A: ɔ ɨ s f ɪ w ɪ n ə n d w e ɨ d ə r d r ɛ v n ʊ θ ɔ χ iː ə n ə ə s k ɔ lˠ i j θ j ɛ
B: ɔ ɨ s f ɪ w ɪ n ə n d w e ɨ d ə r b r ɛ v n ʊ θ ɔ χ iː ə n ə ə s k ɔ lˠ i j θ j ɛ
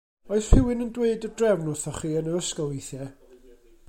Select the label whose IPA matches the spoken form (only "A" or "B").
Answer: A